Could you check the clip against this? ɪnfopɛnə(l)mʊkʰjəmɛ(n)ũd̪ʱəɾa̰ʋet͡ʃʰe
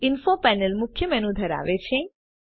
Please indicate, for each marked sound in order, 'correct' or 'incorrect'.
correct, correct

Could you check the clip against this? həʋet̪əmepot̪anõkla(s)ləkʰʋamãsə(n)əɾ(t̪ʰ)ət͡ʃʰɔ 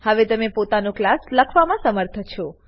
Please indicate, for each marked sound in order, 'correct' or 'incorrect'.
correct, incorrect, correct

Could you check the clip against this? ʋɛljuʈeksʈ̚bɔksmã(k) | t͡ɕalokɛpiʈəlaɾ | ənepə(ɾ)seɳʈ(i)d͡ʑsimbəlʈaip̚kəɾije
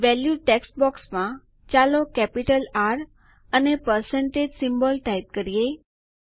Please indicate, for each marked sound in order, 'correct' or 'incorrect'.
incorrect, correct, incorrect

